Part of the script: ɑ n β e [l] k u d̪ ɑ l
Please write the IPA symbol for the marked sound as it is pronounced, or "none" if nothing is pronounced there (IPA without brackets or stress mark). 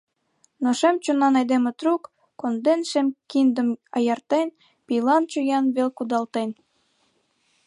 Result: l